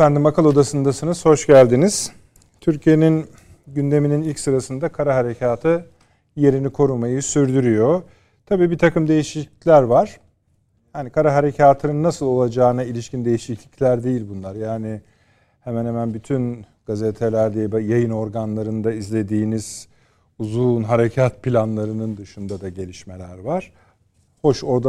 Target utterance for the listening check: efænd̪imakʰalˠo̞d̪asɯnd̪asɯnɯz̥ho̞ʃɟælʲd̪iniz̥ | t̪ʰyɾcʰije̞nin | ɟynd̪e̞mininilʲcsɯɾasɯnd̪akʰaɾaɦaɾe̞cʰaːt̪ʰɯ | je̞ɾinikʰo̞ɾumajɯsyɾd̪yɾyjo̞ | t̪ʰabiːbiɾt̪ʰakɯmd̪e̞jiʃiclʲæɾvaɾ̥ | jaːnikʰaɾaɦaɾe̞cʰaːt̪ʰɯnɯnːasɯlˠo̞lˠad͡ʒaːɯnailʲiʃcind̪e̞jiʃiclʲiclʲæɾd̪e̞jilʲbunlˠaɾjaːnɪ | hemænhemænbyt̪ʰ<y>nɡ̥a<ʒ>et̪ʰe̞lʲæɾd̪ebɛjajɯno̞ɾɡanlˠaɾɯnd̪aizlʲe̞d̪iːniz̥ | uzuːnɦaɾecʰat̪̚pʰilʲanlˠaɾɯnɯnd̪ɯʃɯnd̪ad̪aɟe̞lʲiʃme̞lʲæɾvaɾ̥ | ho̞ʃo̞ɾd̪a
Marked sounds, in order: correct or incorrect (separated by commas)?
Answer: correct, incorrect